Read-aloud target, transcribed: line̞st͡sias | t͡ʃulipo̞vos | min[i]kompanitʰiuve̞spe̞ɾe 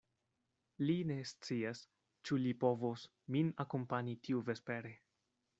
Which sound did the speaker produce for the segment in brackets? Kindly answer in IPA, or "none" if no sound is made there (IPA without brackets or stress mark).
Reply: a